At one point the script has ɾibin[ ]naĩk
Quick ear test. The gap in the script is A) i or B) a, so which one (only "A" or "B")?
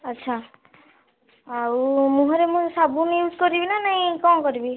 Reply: B